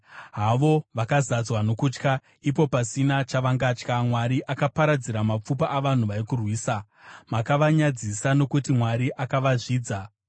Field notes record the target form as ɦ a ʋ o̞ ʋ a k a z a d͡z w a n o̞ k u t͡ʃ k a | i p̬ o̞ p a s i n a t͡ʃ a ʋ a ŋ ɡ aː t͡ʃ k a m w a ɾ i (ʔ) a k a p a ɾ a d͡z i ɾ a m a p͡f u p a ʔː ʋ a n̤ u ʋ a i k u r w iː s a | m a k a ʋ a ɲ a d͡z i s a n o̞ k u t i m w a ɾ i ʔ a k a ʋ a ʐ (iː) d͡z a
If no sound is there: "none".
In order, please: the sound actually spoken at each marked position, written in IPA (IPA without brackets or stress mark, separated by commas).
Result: ʔ, iː